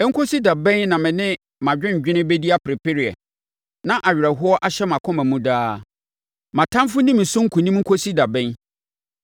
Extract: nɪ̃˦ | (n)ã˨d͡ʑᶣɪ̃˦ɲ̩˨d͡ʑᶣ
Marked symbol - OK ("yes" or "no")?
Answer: no